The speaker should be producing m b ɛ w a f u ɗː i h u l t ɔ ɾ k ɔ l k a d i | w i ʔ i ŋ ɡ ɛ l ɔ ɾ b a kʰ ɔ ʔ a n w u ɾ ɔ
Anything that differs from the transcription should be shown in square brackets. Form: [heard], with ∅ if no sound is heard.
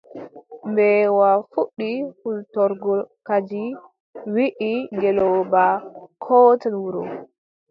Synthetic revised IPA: m b ɛ w a f u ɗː i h u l t ɔ ɾ [ɡ] ɔ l k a [d͡ʒ] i | w i ʔ i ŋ ɡ ɛ l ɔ [∅] b a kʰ ɔ [t] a n w u ɾ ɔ